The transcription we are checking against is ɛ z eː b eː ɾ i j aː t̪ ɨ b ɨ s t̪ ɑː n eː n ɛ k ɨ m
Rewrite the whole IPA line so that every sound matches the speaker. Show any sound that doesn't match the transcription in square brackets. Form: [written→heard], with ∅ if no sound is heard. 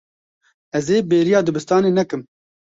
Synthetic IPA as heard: ɛ z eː b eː ɾ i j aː [t̪→d̪] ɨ b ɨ s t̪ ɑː n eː n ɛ k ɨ m

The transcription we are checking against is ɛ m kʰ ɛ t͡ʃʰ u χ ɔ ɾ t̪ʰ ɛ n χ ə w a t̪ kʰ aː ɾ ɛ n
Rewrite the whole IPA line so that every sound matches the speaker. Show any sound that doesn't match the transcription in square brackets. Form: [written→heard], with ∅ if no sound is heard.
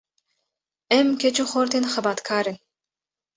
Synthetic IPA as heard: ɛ m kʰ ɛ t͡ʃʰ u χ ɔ ɾ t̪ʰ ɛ n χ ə [w→b] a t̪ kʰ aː ɾ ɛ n

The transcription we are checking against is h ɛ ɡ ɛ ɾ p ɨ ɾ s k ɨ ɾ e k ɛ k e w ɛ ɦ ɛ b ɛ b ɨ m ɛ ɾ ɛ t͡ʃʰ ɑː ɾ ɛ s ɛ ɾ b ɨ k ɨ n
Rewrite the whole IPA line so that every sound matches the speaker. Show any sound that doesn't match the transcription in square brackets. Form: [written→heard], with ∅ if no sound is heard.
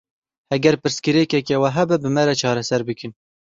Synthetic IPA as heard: h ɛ ɡ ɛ ɾ p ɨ ɾ s k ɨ ɾ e k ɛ k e w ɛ ɦ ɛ b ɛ b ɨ m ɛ ɾ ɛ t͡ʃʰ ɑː ɾ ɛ s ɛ ɾ b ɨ k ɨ n

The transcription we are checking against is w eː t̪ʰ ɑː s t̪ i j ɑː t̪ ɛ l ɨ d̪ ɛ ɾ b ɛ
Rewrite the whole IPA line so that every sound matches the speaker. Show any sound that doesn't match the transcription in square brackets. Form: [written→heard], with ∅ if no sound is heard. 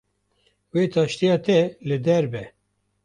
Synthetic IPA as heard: w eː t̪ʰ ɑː [s→ʃ] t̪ i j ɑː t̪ ɛ l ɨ d̪ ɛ ɾ b ɛ

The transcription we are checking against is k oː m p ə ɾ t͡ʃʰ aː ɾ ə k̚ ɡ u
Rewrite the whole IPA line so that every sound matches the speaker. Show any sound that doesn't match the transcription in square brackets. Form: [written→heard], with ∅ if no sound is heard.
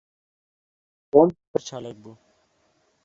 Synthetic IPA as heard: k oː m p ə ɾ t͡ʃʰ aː [ɾ→l] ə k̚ [ɡ→b] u

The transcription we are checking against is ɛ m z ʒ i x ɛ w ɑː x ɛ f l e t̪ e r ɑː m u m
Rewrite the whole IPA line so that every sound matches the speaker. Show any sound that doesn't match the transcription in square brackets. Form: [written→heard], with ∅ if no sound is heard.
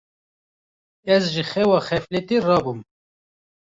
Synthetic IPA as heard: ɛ [m→∅] z ʒ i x ɛ w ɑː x ɛ f l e t̪ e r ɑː [m→b] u m

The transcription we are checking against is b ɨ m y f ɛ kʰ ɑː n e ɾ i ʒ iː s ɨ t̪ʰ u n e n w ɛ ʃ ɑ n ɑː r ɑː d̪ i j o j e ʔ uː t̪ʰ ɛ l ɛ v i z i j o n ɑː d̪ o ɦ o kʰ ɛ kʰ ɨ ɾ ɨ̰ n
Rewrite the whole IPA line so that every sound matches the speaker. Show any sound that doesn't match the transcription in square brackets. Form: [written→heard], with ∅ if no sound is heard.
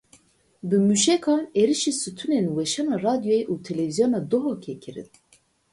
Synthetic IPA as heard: b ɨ m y [f→ʃ] ɛ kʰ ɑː n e ɾ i [ʒ→ʃ] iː s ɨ t̪ʰ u n e n w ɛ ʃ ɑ n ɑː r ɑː d̪ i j o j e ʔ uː t̪ʰ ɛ l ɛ v i z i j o n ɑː d̪ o ɦ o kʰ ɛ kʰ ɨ ɾ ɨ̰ n

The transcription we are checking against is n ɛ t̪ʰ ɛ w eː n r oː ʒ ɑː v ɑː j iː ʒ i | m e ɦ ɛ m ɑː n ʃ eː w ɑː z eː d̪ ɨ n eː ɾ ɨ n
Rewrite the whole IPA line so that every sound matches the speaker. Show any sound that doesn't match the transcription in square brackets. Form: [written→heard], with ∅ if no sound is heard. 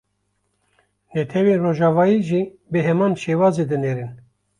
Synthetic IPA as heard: n ɛ t̪ʰ ɛ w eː n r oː ʒ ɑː v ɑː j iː ʒ i | [m→b] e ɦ ɛ m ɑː n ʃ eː w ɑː z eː d̪ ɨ n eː ɾ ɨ n

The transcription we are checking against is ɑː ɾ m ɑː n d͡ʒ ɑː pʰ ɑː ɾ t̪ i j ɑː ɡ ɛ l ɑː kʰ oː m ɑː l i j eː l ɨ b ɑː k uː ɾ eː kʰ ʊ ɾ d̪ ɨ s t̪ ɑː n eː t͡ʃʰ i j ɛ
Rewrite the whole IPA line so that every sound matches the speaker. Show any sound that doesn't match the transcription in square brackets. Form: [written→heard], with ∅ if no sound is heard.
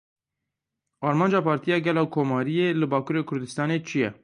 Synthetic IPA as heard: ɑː ɾ m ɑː n d͡ʒ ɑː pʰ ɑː ɾ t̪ i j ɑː ɡ ɛ l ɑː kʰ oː m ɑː [l→ɾ] i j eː l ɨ b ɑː k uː ɾ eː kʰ ʊ ɾ d̪ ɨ s t̪ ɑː n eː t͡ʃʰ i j ɛ

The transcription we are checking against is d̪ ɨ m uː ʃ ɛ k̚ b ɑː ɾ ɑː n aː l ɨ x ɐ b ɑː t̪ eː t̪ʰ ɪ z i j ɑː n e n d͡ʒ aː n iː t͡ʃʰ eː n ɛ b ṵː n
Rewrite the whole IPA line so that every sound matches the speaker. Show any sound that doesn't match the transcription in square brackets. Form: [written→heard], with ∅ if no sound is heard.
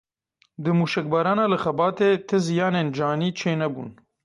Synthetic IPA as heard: d̪ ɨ m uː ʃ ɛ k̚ b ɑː ɾ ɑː n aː l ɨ x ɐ b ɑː t̪ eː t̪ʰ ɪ z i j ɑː n e n d͡ʒ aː n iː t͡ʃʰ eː n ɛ b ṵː n

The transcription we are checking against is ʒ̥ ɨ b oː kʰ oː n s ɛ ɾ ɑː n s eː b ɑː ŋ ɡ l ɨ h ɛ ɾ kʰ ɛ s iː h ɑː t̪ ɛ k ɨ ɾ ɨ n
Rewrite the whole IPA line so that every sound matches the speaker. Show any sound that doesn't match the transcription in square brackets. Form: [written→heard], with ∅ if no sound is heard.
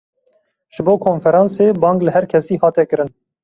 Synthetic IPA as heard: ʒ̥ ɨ b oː kʰ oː n [s→f] ɛ ɾ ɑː n s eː b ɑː ŋ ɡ l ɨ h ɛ ɾ kʰ ɛ s iː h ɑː t̪ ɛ k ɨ ɾ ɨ n

